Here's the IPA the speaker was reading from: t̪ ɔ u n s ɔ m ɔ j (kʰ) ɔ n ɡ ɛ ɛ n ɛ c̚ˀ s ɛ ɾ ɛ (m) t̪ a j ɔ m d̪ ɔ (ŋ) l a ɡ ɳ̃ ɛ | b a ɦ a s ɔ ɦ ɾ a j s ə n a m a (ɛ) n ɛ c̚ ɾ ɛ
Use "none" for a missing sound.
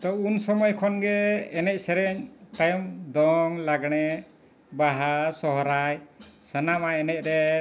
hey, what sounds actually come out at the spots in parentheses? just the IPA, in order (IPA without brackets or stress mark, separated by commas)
kʰ, ɲ, ŋ, ɛ